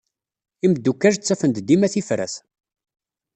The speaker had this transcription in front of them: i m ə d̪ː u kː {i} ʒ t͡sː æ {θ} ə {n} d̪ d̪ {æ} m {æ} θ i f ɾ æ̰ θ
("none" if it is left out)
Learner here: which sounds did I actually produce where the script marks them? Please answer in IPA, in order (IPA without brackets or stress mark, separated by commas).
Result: æ, f, n, i, æ